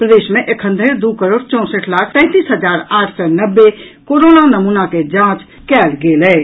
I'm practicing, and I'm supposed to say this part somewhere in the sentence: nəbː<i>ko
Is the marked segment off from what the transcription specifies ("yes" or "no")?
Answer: yes